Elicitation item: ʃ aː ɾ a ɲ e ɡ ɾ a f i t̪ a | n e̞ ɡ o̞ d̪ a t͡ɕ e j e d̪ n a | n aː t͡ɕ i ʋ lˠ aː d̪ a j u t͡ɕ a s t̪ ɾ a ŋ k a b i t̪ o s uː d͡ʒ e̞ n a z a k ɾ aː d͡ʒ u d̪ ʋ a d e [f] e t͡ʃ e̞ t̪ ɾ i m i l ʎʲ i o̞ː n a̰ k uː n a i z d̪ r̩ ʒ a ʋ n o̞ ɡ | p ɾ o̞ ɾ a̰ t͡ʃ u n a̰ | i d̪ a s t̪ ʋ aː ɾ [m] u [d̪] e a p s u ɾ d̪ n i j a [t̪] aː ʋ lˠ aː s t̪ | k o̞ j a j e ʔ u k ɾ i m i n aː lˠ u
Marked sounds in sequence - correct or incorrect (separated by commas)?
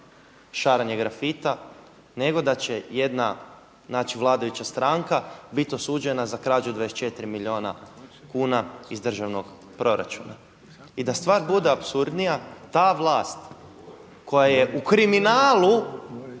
incorrect, incorrect, correct, correct